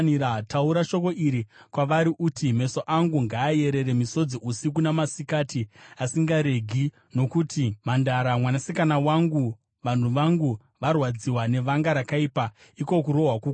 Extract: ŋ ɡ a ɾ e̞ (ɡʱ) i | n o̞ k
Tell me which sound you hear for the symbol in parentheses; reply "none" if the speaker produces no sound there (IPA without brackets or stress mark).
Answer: ɡʱ